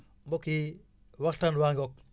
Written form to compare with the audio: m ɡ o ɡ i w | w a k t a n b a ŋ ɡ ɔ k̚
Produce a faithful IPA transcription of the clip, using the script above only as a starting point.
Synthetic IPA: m b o k i | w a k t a n w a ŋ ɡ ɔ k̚

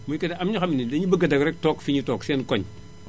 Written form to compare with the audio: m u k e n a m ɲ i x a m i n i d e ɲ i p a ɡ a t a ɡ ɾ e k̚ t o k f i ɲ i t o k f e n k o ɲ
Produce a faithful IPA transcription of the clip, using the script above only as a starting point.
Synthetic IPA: m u k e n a m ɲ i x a m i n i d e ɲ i b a ɡ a d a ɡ ɾ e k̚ t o k f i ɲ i t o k s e n k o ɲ

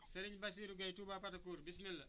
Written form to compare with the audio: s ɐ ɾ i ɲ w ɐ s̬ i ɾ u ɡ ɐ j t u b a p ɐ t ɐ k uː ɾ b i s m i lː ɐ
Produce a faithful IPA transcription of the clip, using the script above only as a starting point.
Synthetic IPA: s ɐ ɾ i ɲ b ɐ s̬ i ɾ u ɡ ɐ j t u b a p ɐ t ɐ k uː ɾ b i s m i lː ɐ

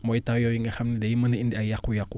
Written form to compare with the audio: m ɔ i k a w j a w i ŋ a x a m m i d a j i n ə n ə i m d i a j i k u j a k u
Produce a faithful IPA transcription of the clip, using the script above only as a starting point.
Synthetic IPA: m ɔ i t a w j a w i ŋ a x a m n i d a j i m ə n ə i n d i a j a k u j a k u

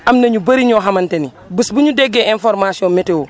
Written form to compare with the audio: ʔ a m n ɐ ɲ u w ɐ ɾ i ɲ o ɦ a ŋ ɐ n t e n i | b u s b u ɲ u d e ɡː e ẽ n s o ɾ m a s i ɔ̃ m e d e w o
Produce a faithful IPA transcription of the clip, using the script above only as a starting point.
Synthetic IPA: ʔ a m n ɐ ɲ u b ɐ ɾ i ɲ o ɦ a m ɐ n t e n i | b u s b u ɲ u d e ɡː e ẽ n f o ɾ m a s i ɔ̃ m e t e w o

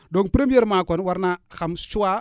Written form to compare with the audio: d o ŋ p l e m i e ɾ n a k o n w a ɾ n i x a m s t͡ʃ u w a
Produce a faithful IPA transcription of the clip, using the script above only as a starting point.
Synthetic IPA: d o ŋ p ɾ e m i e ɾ m a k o n w a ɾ n a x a m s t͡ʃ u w a

